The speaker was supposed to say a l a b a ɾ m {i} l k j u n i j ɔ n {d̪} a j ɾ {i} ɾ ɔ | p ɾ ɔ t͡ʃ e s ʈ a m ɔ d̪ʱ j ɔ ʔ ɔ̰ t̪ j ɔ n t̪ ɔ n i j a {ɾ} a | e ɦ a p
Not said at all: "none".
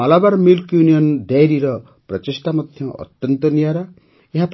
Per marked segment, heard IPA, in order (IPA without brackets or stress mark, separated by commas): i, d̪, i, ɾ